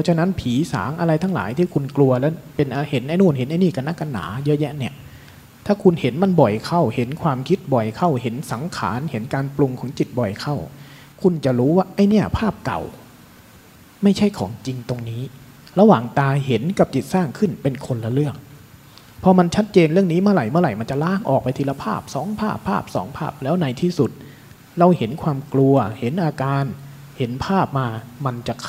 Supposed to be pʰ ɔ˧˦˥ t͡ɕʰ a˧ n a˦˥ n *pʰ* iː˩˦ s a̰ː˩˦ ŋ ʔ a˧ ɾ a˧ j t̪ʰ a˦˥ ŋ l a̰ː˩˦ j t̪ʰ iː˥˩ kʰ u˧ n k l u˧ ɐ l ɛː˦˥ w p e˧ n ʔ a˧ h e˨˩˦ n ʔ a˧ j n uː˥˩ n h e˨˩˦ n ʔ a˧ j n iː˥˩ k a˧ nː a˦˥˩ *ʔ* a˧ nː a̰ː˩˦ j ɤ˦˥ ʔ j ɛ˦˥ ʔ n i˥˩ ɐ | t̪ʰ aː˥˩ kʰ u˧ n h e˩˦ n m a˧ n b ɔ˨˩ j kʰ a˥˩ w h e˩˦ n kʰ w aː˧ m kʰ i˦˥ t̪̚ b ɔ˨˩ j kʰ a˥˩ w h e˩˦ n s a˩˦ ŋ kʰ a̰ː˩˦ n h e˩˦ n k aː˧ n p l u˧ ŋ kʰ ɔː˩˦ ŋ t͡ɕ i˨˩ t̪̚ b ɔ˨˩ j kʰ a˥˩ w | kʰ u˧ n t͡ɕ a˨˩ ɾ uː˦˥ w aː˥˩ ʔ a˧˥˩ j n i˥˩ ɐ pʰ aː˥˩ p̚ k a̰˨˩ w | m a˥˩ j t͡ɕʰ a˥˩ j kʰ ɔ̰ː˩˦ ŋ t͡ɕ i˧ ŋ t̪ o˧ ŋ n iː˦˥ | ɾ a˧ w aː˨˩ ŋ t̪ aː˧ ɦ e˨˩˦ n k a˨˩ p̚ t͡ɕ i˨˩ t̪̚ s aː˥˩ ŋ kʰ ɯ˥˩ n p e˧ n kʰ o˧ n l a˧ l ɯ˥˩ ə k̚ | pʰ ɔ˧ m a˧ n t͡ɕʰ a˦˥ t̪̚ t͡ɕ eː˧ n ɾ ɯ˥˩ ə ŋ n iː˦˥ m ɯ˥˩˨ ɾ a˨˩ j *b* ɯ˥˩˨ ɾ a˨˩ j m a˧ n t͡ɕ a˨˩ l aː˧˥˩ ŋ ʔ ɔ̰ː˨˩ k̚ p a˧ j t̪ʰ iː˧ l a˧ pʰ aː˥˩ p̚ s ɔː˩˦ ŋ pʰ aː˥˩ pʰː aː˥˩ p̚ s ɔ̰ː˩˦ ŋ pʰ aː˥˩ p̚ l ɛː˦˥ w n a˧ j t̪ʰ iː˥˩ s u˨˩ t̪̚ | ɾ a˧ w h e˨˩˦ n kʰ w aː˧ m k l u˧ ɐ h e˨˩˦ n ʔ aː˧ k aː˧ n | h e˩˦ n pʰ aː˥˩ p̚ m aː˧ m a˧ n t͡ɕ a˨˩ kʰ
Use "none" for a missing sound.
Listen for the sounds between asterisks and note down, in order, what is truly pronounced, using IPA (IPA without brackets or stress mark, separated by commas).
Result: pʰ, k, m